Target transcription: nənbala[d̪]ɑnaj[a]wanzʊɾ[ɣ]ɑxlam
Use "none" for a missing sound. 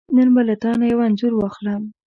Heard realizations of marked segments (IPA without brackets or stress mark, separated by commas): t̪, a, w